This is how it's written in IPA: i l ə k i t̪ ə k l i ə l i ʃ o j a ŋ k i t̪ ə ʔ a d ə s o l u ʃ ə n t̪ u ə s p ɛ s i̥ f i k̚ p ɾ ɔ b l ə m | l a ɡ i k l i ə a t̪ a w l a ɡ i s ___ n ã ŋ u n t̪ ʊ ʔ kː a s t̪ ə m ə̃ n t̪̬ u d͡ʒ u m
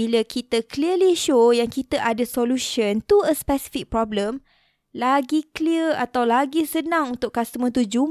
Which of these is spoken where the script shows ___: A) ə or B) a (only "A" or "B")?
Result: A